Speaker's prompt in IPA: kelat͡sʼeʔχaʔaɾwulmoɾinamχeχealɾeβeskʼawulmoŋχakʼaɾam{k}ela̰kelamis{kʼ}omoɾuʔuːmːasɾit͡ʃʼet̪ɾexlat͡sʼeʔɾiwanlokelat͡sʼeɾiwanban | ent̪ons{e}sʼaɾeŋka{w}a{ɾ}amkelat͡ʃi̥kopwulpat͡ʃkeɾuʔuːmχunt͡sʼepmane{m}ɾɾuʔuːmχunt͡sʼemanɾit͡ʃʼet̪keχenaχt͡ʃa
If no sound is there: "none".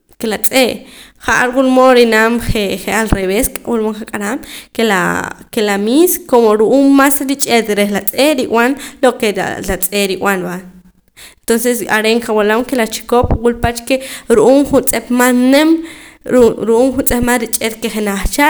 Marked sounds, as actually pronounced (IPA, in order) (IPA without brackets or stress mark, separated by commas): k, k, e, w, l, m